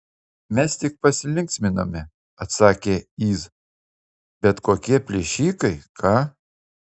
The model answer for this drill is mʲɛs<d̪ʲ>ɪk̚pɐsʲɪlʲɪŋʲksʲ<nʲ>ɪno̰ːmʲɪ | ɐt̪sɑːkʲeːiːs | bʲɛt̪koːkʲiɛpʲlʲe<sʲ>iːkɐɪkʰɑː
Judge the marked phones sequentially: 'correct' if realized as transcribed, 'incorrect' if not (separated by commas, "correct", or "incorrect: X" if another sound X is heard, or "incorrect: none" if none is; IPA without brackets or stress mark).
incorrect: t̪ʲ, incorrect: mʲ, incorrect: ʃʲ